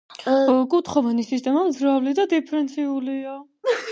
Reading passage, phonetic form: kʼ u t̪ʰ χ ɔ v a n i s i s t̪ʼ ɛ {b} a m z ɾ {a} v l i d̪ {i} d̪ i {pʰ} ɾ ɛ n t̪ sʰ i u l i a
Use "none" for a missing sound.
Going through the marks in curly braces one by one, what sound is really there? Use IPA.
m, a, a, pʰ

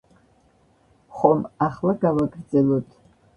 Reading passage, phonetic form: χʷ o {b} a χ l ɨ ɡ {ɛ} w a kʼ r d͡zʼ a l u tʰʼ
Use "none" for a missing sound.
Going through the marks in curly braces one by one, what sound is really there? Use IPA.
m, a

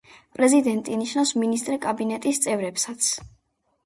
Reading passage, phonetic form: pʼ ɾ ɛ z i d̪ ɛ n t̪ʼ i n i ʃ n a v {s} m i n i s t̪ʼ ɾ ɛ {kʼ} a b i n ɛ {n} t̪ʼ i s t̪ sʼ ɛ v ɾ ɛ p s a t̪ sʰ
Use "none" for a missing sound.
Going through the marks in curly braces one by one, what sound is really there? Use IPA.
s, kʼ, none

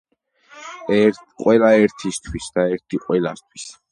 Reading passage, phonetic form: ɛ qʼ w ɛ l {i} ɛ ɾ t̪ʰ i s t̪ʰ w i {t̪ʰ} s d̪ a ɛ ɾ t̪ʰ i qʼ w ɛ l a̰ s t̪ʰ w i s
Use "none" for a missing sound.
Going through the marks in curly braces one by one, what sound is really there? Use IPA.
a, none

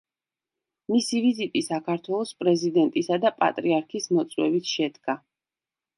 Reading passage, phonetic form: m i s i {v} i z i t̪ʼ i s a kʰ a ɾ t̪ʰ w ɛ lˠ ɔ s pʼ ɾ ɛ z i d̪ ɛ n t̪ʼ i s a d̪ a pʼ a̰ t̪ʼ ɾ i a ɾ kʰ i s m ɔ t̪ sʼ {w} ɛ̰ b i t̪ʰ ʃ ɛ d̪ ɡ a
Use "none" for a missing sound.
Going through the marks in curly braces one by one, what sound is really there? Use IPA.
v, w

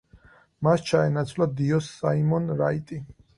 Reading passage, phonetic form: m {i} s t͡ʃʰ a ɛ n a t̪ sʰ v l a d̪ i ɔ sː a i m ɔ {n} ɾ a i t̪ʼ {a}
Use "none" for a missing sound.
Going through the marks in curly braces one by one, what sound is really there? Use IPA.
a, n, i

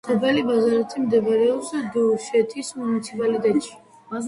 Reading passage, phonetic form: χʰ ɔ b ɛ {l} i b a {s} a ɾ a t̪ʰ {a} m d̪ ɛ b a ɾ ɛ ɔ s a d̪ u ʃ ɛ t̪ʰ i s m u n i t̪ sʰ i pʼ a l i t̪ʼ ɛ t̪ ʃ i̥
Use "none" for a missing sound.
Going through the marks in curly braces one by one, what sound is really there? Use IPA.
l, z, i

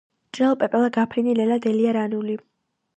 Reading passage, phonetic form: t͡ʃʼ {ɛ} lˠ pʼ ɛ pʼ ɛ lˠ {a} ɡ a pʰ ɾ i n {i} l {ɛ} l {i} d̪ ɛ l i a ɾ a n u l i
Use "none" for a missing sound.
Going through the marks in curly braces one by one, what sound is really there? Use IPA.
ɛ, a, i, ɛ, a

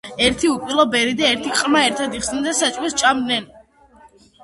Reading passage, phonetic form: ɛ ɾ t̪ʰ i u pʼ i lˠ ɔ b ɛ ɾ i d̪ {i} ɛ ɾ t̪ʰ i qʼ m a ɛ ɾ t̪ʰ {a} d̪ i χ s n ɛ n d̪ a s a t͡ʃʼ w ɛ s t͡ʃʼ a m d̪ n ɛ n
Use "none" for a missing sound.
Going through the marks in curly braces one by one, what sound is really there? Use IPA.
a, a

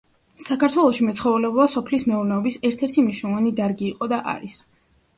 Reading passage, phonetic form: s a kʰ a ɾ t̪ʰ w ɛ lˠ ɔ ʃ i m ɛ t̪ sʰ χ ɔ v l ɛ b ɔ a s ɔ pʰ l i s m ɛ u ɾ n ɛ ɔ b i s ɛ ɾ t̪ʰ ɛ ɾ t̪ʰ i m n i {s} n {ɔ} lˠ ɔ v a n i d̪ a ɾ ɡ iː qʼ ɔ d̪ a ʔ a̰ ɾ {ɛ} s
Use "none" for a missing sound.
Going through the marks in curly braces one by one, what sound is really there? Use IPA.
ʃ, ɔ, i

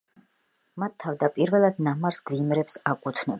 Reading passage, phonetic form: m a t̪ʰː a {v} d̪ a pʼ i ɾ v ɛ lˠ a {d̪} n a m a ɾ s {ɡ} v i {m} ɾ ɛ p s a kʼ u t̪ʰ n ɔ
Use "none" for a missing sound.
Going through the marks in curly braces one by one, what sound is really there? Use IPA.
v, d̪, ɡ, m

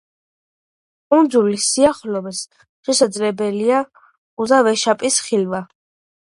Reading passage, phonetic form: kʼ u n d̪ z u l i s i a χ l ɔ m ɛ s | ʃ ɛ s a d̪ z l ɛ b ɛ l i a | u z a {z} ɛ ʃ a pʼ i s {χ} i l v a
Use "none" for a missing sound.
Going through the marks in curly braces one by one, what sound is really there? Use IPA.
v, χ

